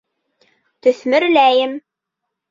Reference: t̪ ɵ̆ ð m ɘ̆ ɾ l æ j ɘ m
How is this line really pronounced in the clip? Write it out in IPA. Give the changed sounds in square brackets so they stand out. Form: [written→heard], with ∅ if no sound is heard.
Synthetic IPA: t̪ ɵ̆ [ð→θ] m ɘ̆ ɾ l æ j ɘ m

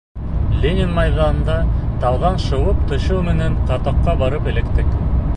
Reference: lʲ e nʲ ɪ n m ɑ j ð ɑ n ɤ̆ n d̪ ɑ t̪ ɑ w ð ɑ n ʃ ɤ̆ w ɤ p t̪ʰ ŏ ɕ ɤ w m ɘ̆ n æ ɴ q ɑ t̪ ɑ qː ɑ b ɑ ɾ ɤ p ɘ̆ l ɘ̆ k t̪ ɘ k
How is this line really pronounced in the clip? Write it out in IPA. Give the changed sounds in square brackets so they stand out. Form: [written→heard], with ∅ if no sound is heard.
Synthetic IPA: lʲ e nʲ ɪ n m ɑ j ð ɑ n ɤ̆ n d̪ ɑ t̪ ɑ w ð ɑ n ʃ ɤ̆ w ɤ p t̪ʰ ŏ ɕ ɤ w m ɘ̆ n æ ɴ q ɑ t̪ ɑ qː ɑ b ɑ ɾ ɤ p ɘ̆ l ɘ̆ k t̪ ɘ k

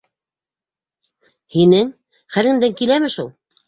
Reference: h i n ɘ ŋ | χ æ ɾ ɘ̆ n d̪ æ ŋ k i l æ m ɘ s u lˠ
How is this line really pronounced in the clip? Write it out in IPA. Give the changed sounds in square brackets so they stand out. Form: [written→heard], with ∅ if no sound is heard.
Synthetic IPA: h i n ɘ ŋ | χ æ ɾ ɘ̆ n d̪ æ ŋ k i l æ m ɘ [s→ʃ] u lˠ

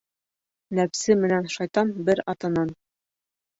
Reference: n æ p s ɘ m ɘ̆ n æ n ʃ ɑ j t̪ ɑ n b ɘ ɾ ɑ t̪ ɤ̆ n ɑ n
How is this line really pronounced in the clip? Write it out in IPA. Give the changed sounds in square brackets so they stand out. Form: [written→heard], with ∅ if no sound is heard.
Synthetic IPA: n æ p s ɘ m ɘ̆ n æ n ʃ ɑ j t̪ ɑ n b ɘ ɾ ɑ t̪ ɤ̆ n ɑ n

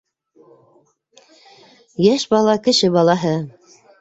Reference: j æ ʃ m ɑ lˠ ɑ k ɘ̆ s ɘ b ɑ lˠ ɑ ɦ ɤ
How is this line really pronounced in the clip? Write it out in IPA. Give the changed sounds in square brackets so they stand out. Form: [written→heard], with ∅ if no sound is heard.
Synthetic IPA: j æ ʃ [m→b] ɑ lˠ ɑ k ɘ̆ [s→ʃ] ɘ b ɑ lˠ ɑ ɦ ɤ

